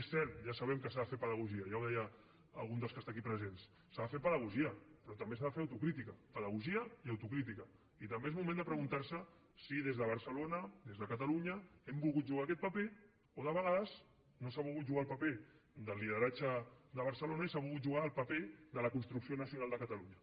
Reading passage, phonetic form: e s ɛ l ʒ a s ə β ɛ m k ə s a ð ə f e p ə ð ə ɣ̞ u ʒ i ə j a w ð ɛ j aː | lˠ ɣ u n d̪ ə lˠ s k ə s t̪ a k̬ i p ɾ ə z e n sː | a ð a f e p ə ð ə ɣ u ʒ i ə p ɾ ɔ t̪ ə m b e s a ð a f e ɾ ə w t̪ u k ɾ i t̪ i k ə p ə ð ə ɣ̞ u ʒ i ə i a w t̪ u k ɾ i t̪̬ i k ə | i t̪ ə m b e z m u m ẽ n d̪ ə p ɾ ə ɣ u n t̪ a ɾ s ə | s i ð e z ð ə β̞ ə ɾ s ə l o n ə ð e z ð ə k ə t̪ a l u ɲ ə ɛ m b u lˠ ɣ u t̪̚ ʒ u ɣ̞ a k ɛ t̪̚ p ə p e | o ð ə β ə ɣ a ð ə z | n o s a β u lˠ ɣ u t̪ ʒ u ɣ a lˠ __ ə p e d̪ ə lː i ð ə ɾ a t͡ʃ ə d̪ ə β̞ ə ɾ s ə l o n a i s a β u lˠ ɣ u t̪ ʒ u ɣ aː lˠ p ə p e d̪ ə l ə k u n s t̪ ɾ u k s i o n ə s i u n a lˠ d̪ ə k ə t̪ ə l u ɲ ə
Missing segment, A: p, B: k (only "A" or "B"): A